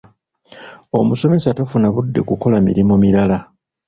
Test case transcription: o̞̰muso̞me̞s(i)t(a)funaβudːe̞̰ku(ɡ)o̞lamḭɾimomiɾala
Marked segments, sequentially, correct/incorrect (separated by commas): incorrect, correct, incorrect